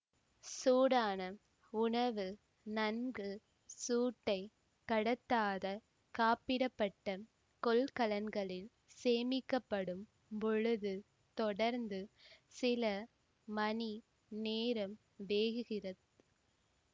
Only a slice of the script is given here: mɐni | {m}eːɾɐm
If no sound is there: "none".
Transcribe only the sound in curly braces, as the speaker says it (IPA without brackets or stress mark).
n